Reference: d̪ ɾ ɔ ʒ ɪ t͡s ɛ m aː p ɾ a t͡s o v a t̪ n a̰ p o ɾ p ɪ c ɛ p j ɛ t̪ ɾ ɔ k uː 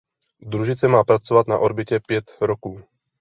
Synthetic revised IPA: d̪ ɾ u ʒ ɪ t͡s ɛ m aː p ɾ a t͡s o v a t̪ n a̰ ʔ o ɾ b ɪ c ɛ p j ɛ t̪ ɾ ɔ k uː